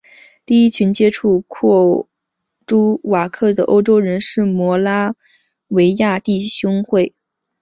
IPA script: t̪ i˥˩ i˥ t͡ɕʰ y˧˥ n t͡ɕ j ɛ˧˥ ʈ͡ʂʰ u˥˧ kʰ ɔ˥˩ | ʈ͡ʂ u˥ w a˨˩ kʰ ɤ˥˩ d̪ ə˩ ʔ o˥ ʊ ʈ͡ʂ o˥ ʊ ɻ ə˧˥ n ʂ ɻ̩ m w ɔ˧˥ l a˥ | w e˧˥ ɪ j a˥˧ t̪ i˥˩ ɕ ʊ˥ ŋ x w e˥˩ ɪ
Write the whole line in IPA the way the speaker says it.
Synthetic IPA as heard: t̪ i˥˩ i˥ t͡ɕʰ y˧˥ n t͡ɕ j ɛ˥ ʈ͡ʂʰ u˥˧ kʰ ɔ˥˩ | ʈ͡ʂ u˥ w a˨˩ kʰ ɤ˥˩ d̪ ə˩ ʔ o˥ ʊ ʈ͡ʂ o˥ ʊ ɻ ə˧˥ n ʂ ɻ̩ m w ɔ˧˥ l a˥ | w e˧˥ ɪ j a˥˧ t̪ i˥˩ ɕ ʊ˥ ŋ x w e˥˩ ɪ